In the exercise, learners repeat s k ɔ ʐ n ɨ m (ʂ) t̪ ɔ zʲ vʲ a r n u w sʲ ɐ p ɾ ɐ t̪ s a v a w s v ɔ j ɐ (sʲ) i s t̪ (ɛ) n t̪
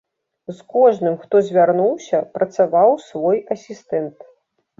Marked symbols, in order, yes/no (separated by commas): no, yes, yes